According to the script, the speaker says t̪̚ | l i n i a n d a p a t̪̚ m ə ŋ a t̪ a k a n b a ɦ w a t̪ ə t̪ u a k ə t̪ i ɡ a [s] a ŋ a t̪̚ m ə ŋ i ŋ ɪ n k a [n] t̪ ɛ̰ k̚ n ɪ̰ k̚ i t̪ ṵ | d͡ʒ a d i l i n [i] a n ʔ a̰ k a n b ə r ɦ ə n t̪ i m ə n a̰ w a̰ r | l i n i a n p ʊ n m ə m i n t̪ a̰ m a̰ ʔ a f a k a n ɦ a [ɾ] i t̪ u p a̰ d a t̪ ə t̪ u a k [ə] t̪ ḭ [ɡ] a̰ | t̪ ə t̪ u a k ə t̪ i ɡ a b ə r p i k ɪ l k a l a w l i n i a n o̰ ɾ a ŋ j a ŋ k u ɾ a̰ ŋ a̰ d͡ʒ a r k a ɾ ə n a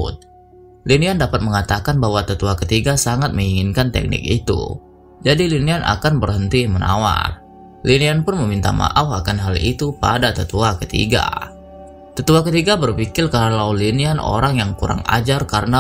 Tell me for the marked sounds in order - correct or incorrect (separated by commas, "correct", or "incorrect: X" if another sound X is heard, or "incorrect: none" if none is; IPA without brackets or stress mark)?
correct, correct, correct, incorrect: l, correct, correct